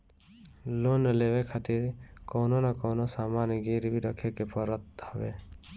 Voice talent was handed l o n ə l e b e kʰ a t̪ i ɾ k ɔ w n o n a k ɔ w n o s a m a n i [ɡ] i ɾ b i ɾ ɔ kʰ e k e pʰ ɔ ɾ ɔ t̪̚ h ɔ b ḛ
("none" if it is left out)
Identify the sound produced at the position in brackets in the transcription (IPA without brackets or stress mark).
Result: ɡ